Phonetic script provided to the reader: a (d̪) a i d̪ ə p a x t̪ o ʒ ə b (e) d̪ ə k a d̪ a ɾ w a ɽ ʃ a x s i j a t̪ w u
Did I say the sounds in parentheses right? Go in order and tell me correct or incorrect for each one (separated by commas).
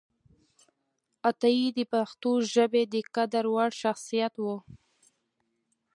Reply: incorrect, correct